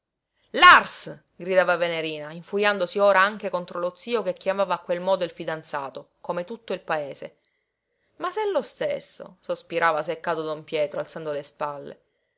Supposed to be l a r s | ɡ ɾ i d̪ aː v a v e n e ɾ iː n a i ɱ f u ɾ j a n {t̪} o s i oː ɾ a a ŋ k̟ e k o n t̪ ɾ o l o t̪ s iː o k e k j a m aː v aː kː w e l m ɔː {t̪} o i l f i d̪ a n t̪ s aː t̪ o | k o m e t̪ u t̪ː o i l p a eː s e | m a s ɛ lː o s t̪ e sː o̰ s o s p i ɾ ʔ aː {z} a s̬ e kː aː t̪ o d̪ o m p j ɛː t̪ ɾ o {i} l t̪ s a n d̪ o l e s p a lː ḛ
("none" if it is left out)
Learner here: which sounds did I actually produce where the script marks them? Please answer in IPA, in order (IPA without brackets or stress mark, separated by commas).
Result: d̪, d̪, v, a